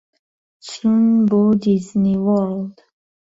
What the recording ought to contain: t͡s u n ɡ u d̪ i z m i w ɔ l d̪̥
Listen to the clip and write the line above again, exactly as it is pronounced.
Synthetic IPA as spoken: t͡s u n b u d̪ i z n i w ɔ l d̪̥